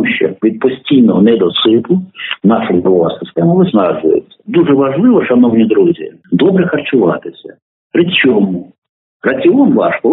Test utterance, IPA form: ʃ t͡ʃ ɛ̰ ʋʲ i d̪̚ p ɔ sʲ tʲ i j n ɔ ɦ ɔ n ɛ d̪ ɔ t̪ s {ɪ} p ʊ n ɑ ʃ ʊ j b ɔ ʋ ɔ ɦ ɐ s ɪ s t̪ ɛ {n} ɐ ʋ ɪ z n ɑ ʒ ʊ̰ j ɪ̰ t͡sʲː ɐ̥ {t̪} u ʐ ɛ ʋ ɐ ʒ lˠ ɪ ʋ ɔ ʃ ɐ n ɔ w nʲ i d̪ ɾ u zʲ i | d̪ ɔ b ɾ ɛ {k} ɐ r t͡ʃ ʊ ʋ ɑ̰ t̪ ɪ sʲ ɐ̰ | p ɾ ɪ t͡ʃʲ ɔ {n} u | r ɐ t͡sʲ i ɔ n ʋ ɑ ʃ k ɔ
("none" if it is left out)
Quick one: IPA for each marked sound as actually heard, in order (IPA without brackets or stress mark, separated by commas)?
ɪ, m, d̪, x, m